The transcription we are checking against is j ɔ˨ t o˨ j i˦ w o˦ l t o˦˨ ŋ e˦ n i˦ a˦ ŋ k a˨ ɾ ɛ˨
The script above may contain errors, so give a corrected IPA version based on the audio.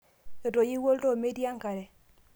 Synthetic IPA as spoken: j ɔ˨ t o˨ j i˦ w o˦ l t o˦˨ m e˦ d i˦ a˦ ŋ k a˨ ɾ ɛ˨